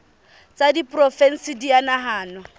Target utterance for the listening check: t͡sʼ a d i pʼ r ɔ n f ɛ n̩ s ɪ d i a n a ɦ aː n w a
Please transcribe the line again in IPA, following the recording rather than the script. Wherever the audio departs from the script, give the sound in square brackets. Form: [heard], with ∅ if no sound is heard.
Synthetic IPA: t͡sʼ a d i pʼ r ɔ [∅] f ɛ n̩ s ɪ d i a n a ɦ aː n w a